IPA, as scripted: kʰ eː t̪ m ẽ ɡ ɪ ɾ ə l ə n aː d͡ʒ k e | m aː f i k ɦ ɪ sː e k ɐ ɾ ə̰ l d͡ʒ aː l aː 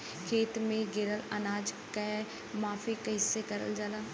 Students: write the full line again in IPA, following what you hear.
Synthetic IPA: kʰ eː t̪ m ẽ ɡ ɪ ɾ ə l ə n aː d͡ʒ k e | m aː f i k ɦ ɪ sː e k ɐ ɾ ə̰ l d͡ʒ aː l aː